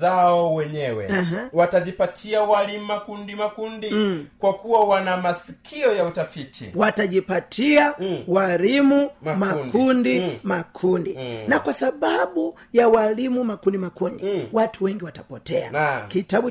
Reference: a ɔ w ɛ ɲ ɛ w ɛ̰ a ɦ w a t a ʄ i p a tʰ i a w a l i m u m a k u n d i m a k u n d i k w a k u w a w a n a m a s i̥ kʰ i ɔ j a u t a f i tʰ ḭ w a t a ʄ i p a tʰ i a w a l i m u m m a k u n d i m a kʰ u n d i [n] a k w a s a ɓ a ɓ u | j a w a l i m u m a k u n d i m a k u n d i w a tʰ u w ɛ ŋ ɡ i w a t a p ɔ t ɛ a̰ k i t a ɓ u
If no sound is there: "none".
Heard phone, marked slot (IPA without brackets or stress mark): n